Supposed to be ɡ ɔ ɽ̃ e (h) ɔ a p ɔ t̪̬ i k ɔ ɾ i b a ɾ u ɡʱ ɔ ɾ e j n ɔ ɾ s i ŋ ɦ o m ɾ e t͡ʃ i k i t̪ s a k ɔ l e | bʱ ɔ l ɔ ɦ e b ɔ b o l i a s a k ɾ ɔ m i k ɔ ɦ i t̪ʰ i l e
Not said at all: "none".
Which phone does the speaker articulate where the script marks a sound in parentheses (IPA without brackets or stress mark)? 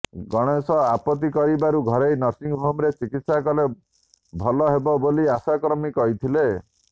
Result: s